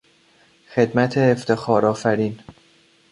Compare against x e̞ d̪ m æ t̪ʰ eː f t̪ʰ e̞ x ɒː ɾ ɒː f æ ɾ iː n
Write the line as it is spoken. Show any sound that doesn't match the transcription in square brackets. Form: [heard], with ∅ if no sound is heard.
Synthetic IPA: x e̞ d̪ m æ t̪ʰ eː f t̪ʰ e̞ x ɒː ɾ ɒː f æ ɾ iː n